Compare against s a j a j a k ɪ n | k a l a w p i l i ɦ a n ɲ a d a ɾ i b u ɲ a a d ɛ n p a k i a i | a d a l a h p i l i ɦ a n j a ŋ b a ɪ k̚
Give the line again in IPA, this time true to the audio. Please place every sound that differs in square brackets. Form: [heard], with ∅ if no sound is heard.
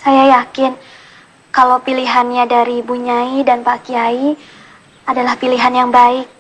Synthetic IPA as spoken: s a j a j a k ɪ n | k a l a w p i l i ɦ a n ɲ a d a ɾ i b u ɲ a [i] d [a] n p a k i a i | a d a l a h p i l i ɦ a n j a ŋ b a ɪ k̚

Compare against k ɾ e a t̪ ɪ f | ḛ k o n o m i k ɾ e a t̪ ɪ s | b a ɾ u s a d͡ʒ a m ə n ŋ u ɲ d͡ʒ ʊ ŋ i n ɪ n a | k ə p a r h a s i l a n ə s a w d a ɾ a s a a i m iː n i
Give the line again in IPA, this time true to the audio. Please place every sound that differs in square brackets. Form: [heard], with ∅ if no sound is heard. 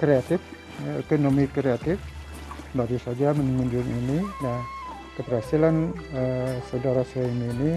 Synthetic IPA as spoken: k ɾ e a t̪ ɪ f | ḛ k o n o m i k ɾ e a t̪ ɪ [f] | b a ɾ u s a d͡ʒ a m ə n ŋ u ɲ d͡ʒ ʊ ŋ i n [i] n a | k ə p [ə] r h a s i l a n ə s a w d a ɾ a s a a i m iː n i

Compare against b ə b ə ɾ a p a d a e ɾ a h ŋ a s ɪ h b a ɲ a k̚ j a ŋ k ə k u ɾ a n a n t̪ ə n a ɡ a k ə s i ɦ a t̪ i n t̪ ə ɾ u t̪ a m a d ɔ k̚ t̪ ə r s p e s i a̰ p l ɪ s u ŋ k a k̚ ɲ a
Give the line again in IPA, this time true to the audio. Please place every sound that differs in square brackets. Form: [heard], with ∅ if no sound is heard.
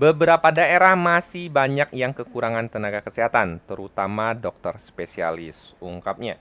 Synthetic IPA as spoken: b ə b ə ɾ a p a d a e ɾ a h [m] a s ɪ h b a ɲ a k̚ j a ŋ k ə k u ɾ a [ŋ] a n t̪ ə n a ɡ a k ə s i ɦ a t̪ [a] n t̪ ə ɾ u t̪ a m a d ɔ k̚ t̪ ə r s p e s i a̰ [∅] l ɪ s u ŋ k a [p̚] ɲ a

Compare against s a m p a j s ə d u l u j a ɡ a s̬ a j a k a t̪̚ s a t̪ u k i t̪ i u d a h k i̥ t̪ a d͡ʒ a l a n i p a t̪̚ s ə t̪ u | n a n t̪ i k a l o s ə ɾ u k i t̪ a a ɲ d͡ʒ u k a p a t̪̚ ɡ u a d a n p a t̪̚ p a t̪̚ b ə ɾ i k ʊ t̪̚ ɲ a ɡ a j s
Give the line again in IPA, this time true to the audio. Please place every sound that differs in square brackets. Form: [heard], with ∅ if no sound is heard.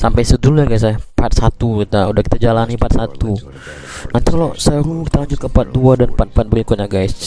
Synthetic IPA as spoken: s a m p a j s ə d u l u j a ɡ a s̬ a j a [p] a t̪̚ s a t̪ u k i t̪ [a] u d a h k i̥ t̪ a d͡ʒ a l a n i p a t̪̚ s [a] t̪ u | n a n t̪ i k a l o s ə ɾ u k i t̪ a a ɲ d͡ʒ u k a p a t̪̚ [d] u a d a n p a t̪̚ p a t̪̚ b ə ɾ i k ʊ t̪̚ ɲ a ɡ a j s

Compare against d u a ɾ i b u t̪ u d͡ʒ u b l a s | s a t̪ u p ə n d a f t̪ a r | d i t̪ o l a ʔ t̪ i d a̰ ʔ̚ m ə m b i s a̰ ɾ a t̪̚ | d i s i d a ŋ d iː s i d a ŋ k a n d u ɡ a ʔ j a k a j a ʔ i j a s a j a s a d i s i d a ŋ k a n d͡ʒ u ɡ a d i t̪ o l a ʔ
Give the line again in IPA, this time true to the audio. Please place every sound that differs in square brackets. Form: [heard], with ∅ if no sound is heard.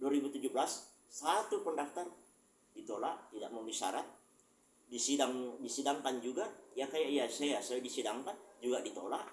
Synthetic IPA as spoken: d u a ɾ i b u t̪ u d͡ʒ u b l a s | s a t̪ u p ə n d a f t̪ a r | d i t̪ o l a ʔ t̪ i d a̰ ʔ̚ m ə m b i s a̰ ɾ a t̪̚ | d i s i d a ŋ d [i] s i d a ŋ k a n [d͡ʒ] u ɡ a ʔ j a k a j a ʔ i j a s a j a s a d i s i d a ŋ k a n d͡ʒ u ɡ a d i t̪ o l a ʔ

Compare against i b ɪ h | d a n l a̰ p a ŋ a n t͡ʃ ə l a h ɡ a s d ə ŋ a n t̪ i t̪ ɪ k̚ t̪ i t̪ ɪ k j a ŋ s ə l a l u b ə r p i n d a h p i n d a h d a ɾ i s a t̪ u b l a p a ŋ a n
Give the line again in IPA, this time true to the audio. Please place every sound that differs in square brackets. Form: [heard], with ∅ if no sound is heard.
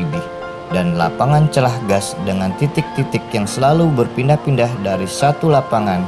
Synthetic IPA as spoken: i b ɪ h | d a n l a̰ p a ŋ a n t͡ʃ ə l a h ɡ a s d ə ŋ a n t̪ i t̪ ɪ k̚ t̪ i t̪ ɪ k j a ŋ s ə l a l u b ə r p i n d a h p i n d a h d a ɾ i s a t̪ u [∅] l a p a ŋ a n

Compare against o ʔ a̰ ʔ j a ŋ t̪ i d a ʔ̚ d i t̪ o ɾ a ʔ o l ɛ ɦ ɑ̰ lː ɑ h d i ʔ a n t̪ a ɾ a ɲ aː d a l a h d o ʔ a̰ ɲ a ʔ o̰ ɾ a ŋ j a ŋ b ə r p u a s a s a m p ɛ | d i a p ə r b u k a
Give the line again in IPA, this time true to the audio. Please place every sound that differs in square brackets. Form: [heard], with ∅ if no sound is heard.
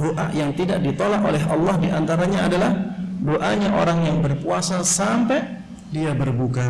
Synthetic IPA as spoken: o ʔ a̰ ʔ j a ŋ t̪ i d a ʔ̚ d i t̪ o [l] a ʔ o l ɛ ɦ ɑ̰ lː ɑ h d i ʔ a n t̪ a ɾ a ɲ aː d a l a h d o ʔ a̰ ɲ a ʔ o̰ ɾ a ŋ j a ŋ b ə r p u a s a s a m p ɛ | d i a [b] ə r b u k a

